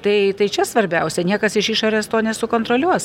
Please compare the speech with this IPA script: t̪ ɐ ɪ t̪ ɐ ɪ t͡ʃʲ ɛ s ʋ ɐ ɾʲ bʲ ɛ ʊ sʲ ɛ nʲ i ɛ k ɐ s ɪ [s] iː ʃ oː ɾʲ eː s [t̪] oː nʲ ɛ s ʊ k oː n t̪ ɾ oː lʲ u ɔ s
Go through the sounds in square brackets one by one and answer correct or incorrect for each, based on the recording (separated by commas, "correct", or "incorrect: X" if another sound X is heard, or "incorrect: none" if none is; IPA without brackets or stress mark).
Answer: incorrect: ʃ, correct